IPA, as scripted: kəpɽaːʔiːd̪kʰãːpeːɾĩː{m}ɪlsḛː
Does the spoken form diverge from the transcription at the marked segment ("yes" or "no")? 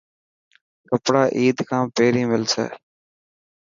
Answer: no